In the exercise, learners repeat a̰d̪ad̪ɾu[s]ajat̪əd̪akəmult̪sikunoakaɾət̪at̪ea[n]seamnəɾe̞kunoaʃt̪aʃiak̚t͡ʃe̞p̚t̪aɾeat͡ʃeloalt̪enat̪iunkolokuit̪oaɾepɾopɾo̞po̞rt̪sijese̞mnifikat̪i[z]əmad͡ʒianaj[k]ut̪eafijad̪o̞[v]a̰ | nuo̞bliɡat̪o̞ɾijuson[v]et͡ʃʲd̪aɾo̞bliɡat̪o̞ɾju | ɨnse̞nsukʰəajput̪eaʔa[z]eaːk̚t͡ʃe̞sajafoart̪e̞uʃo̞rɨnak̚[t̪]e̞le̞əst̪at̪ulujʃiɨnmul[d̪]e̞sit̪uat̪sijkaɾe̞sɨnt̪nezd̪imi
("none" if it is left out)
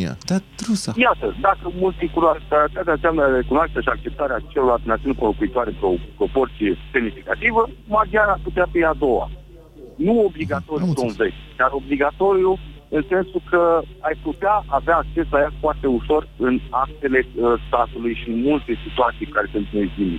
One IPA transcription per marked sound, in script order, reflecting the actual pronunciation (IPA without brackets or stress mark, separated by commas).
s, n, v, p, w, v, v, t̪, t̪